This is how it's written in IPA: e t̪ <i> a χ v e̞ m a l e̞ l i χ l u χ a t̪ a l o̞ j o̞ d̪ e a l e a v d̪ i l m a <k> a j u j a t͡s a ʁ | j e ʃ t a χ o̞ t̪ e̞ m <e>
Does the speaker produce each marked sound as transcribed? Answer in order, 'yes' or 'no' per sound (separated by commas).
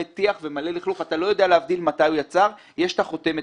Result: yes, no, yes